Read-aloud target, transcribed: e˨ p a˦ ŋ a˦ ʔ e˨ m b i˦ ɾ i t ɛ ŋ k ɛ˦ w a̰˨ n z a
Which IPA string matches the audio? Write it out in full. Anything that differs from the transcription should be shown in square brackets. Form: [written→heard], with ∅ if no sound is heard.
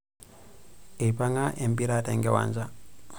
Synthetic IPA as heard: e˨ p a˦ ŋ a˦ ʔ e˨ m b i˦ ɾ [i→a] t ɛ ŋ [k→ɡ] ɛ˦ w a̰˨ n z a